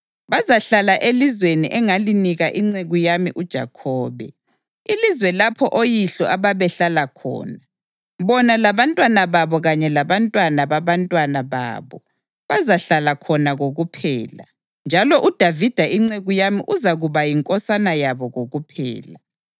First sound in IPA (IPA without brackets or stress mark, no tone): β